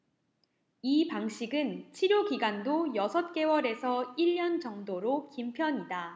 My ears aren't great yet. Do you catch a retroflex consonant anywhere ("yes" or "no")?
no